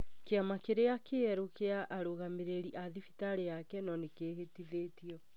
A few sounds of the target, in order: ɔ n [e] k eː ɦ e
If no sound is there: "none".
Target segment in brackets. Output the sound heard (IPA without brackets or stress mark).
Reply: e